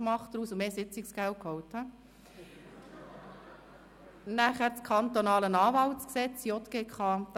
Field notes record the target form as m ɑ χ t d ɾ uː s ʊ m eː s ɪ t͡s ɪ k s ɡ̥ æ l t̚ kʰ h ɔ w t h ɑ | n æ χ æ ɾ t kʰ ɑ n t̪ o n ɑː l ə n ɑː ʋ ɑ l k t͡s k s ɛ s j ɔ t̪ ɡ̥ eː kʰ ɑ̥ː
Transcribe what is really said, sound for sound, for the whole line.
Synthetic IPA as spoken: m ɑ χ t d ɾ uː s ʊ m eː s ɪ t͡s ɪ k s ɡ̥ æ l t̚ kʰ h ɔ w t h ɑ | n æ χ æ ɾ t͡s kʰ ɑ n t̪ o n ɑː l ə n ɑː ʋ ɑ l t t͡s k s ɛ t͡s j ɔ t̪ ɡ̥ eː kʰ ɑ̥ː

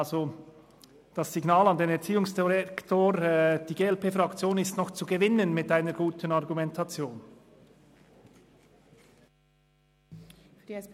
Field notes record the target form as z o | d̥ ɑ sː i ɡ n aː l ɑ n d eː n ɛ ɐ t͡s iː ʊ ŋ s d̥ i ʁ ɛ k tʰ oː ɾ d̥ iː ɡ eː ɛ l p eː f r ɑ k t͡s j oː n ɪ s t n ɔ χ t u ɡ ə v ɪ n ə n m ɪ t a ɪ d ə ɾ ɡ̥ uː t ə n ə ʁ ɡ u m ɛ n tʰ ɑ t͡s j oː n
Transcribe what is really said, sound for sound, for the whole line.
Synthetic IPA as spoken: z o | d̥ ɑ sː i ɡ n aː l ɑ n d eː n ɛ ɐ t͡s iː ʊ ŋ s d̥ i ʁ ɛ k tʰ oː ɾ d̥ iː ɡ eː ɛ l p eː f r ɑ k t͡s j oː n ɪ s t n ɔ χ t͡s u ɡ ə v ɪ n ə n m ɪ t a ɪ n ə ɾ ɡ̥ uː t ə n ɑ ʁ ɡ u m ɛ n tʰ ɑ t͡s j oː n

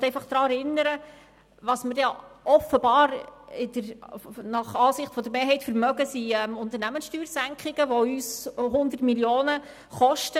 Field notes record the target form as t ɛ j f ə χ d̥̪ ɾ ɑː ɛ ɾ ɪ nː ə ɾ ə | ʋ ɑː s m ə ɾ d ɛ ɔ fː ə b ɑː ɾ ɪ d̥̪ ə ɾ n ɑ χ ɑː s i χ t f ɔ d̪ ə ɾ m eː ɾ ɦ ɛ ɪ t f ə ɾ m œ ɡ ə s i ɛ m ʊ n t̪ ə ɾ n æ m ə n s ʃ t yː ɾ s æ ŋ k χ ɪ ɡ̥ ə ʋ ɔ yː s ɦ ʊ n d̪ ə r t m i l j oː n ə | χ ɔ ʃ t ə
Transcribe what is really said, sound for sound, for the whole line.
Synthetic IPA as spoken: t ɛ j f ɑ χ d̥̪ ɾ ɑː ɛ ɾ ɪ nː ə ɾ ə | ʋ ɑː s m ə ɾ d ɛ ɔ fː ə b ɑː ɾ ɪ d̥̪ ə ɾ n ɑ χ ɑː s ɪ χ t f ɔ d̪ ə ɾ m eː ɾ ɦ ɛ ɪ t f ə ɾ m œ ɡ ə s i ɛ m ʊ n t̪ ə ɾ n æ m ə n s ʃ t yː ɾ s æ ŋ k χ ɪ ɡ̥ ə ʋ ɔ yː s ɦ ʊ n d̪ ə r t m i l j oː n ə | χ ɔ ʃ t ə

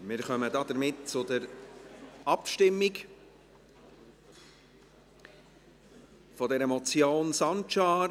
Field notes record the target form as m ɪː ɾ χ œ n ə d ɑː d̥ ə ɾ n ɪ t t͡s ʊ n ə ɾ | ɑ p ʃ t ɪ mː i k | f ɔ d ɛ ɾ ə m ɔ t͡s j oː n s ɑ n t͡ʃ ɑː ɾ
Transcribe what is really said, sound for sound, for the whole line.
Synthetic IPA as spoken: m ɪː ɾ χ œ m ə d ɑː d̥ ə ɾ m ɪ t t͡s ʊ d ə ɾ | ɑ p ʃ t ɪ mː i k | f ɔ d ɛ ɾ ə m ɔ t͡s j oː n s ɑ n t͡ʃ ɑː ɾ

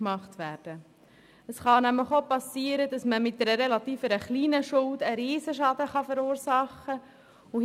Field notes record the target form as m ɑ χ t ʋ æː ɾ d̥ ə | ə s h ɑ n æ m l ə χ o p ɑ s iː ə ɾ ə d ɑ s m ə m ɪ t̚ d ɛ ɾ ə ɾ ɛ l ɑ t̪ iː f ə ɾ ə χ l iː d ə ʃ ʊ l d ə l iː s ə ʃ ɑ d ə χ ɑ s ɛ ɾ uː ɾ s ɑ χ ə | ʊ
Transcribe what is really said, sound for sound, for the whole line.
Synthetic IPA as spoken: m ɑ χ t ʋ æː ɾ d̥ ə | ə s χ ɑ n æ m l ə χ o p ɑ s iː ə ɾ ə d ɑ s m ə m ɪ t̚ d ɛ ɾ ə ɾ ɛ l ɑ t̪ iː f ə ɾ ə χ l iː n ə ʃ ʊ l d ə ɾ iː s ə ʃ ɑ d ə χ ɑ f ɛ ɾ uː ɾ s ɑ χ ə | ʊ

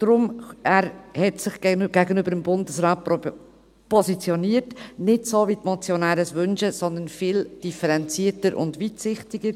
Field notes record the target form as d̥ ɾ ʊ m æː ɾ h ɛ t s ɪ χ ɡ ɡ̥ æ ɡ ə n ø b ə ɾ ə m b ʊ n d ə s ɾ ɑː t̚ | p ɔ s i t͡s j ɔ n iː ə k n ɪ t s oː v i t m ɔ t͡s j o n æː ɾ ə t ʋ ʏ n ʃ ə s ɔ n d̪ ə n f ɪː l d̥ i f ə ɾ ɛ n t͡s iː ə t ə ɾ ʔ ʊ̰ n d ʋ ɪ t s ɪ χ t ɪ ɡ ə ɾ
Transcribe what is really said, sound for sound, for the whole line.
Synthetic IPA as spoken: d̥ ɾ ʊ m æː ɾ h ɛ t s ɪ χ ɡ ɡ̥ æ ɡ ə n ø b ə ɾ ə m b ʊ n d ə s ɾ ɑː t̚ | p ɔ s i t͡s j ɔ n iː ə t n ɪ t s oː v i t m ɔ t͡s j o n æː ɾ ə s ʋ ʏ n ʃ ə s ɔ n d̪ ə n f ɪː l d̥ i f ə ɾ ɛ n t͡s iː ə t ə ɾ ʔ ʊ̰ n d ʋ i t s ɪ χ t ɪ ɡ ə ɾ

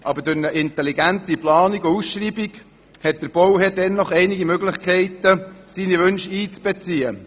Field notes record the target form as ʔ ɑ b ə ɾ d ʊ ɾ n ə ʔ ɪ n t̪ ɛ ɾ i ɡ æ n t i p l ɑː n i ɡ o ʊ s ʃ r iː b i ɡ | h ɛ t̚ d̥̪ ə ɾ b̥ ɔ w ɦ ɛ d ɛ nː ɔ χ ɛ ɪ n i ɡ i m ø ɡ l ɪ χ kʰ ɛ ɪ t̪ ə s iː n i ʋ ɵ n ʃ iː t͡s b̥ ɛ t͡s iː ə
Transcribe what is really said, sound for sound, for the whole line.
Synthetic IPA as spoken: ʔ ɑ b ə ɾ d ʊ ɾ n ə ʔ ɪ n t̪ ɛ l i ɡ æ n t i p l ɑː n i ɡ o u s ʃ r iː b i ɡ | h ɛ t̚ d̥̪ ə ɾ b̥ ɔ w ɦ ɛ d ɛ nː ɔ χ ɛ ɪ n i ɡ i m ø ɡ l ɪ χ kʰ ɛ ɪ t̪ ə s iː n i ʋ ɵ n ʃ iː t͡s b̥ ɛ t͡s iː ə

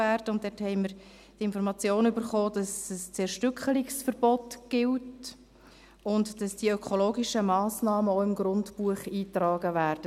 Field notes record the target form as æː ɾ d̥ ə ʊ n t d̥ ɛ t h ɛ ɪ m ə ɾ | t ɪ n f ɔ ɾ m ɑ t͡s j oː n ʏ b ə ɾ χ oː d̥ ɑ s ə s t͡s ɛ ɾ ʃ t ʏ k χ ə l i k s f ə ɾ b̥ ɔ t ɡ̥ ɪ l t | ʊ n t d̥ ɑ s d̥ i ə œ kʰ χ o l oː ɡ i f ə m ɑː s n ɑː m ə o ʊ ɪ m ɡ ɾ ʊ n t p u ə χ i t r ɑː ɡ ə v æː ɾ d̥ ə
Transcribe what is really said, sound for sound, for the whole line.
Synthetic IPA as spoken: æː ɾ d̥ ə ʊ n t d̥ ɛ t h ɛ ɪ m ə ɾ | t ɪ n f ɔ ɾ m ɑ t͡s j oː n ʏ b ə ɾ χ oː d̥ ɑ s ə s t͡s ɛ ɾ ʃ t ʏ k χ ə l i k s f ə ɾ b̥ ɔ t ɡ̥ ɪ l t | ʊ n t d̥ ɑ s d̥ i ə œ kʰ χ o l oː ɡ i ʃ ə m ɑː s n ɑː m ə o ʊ ɪ m ɡ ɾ ʊ n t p u ə χ iː t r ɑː ɡ ə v æː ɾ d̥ ə

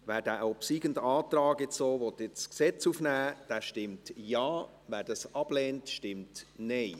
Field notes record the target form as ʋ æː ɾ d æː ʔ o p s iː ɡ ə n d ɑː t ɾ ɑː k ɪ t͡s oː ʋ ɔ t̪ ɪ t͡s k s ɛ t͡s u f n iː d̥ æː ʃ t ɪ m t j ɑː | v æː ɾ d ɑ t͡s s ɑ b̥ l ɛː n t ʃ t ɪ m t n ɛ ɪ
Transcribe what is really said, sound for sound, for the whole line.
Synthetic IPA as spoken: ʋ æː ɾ d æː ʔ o p s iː ɡ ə n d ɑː t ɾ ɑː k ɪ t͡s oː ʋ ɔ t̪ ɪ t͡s k s ɛ t͡s u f n æː d̥ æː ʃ t ɪ m t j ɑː | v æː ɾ d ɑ s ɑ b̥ l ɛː n t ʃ t ɪ m t n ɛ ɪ

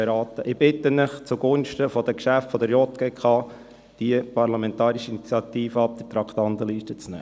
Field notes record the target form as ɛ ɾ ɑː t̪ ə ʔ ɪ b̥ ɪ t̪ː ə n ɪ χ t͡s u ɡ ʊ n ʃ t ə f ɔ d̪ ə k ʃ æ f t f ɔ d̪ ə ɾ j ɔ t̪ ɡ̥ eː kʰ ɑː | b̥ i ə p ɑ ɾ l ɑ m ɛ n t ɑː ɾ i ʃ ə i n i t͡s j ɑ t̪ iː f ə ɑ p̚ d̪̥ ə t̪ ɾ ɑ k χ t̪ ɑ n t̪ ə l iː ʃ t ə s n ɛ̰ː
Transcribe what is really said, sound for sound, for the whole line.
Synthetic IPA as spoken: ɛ ɾ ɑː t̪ ə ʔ ɪ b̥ ɪ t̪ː ə n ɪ χ t͡s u ɡ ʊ n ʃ t ə f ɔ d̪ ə k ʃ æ f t f ɔ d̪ ə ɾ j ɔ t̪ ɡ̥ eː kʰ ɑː | d̥ i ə p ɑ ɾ l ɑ m ɛ n t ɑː ɾ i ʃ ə i n i t͡s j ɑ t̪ iː f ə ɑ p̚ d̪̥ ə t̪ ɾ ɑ k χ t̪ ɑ n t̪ ə l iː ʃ t ə t͡s n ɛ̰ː

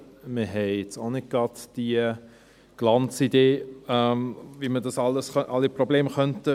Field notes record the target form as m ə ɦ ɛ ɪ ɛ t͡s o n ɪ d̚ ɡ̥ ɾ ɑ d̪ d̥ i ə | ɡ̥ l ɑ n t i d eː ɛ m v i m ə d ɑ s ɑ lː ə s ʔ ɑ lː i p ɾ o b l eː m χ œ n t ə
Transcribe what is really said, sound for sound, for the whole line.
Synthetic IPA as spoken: m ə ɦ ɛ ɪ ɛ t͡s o n ɪ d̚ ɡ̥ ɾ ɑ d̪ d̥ i ə | ɡ̥ l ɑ n t͡s i d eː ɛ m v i m ə d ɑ s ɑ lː ə s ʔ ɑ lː i p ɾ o b l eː m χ œ n t ə

